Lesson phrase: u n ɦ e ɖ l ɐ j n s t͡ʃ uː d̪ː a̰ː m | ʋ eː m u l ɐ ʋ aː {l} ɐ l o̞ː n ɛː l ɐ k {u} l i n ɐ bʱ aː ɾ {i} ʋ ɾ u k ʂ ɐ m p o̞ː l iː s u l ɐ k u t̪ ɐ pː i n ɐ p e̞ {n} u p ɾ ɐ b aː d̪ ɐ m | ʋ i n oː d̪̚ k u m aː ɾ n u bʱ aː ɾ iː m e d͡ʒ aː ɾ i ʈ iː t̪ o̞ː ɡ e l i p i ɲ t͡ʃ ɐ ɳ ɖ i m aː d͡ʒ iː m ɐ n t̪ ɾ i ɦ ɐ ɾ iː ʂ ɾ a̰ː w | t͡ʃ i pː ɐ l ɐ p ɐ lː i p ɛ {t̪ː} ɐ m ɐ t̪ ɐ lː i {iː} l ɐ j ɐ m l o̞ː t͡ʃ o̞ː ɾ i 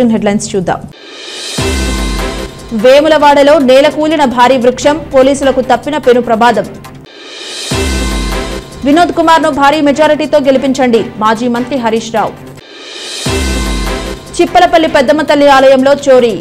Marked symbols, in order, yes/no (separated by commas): no, no, no, yes, no, no